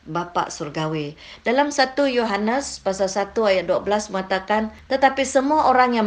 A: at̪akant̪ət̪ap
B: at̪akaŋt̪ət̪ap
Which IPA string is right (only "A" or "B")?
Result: A